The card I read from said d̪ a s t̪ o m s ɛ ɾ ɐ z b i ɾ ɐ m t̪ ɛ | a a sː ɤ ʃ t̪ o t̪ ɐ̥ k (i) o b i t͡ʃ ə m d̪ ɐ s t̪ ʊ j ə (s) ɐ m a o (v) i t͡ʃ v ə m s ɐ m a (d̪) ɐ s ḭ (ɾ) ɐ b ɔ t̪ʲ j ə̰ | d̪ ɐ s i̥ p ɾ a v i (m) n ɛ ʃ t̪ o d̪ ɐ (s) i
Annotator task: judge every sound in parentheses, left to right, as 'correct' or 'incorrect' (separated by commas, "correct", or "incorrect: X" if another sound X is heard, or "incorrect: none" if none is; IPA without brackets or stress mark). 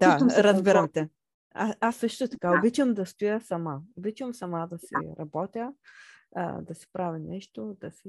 incorrect: a, correct, incorrect: b, correct, correct, incorrect: none, correct